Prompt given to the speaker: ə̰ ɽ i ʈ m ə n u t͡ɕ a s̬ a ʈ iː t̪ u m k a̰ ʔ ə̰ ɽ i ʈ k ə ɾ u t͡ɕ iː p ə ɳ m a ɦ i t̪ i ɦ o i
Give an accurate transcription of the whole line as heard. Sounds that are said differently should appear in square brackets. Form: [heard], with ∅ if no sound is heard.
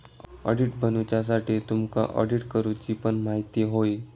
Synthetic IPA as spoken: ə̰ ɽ i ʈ [b] ə n u t͡ɕ a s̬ a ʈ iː t̪ u m k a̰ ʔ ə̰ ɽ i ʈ k ə ɾ u t͡ɕ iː p ə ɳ m a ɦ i t̪ i ɦ o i